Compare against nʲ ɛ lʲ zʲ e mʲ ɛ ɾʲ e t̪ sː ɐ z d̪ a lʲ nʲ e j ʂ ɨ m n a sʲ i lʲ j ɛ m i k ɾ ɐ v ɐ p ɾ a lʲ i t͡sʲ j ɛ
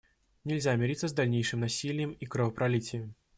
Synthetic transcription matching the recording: nʲ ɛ lʲ zʲ a mʲ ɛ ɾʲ i t̪ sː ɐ z d̪ a lʲ nʲ e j ʂ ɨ m n a sʲ i lʲ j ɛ m i k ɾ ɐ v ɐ p ɾ a lʲ i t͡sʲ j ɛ